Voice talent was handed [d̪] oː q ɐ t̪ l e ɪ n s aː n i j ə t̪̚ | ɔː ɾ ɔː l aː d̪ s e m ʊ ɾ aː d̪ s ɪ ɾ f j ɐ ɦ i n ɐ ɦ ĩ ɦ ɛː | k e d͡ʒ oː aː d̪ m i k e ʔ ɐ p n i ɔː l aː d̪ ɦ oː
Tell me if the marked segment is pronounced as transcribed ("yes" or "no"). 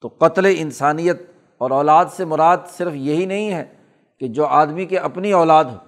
no